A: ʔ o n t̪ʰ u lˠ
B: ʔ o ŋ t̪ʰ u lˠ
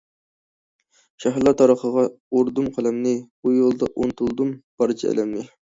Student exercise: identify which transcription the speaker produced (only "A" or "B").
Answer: A